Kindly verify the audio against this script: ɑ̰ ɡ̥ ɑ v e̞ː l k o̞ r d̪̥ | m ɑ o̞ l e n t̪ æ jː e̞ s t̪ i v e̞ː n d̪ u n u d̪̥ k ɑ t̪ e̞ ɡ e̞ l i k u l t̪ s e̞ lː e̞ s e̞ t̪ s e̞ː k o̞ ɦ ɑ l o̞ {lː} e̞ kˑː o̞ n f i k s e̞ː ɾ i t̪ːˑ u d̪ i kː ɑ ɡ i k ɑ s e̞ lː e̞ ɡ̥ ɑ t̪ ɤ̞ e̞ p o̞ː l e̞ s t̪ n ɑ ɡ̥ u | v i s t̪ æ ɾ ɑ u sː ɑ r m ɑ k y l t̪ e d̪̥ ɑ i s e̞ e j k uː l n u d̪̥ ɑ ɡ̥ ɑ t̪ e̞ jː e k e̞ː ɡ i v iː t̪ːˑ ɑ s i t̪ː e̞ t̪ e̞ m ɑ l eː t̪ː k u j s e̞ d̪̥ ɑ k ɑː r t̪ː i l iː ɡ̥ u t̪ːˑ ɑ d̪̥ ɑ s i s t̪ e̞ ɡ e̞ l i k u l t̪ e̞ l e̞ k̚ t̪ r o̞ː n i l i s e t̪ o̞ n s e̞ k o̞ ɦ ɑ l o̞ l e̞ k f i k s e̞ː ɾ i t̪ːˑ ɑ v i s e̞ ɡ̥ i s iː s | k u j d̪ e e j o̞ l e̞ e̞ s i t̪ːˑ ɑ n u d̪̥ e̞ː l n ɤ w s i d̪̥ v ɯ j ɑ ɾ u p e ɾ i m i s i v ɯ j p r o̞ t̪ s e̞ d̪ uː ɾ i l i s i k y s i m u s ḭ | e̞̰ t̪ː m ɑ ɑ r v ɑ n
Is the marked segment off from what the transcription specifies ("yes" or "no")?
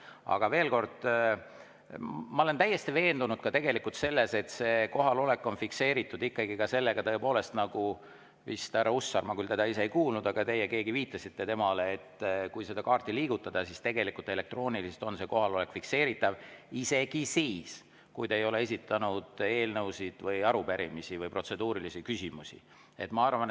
yes